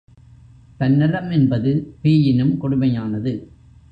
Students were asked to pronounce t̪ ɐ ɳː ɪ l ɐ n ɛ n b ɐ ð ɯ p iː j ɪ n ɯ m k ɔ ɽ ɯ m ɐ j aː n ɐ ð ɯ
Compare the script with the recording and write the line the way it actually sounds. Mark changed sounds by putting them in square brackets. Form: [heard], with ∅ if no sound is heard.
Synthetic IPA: t̪ ɐ [nː] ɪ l ɐ [m] ɛ n b ɐ ð ɯ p iː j ɪ n ɯ m k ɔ ɽ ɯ m ɐ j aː n ɐ ð ɯ